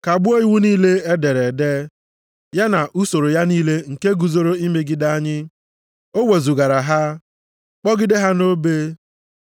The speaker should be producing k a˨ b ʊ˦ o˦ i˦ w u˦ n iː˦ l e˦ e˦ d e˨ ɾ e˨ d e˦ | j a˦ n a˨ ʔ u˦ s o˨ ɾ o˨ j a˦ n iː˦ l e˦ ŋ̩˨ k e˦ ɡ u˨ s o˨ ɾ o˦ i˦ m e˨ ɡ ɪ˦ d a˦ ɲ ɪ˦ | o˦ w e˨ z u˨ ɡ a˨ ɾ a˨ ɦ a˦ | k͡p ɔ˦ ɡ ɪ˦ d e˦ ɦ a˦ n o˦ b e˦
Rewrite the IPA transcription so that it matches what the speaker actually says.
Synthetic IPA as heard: k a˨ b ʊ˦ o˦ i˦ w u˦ n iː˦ l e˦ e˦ d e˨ ɾ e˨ d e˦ | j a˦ n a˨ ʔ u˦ s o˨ ɾ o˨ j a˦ n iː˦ l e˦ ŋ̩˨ k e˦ ɡ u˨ z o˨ ɾ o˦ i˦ m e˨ ɡ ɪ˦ d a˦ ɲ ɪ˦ | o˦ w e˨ z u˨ ɡ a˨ ɾ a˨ ɦ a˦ | k͡p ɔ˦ ɡ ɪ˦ d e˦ ɦ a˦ n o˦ b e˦